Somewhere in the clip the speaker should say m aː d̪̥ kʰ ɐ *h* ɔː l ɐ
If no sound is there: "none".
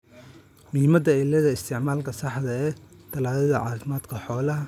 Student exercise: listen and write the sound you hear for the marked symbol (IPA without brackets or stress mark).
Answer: ħ